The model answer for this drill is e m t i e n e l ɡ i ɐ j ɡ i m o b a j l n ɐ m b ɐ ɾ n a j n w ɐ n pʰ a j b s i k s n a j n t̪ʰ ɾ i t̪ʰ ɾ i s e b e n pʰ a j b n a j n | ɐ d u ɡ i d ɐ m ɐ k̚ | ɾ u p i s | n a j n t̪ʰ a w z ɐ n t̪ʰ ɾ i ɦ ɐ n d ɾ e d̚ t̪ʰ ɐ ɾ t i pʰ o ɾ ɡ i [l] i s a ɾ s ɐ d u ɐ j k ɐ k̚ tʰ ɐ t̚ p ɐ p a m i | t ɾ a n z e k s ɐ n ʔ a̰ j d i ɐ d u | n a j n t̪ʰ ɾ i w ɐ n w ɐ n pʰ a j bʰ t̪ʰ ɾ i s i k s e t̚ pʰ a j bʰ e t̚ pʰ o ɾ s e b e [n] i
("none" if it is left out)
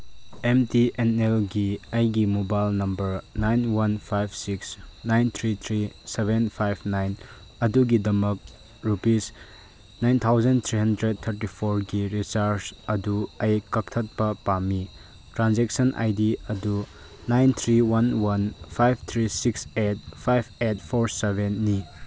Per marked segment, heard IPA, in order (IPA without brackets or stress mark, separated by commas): ɾ, nː